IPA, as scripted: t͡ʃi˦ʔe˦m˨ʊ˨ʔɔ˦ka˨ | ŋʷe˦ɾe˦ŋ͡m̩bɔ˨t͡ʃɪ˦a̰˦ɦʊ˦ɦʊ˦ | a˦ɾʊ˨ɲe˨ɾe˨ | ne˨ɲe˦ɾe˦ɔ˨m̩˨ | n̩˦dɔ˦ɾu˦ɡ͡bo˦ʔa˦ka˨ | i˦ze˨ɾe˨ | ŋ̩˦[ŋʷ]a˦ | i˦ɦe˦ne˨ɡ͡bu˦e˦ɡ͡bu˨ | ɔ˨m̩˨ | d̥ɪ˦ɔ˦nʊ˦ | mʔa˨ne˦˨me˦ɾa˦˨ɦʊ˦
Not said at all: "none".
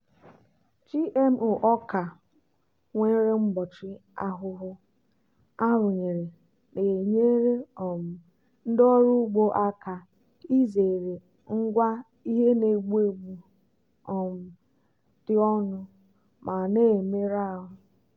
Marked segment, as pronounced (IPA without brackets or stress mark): ɡʷ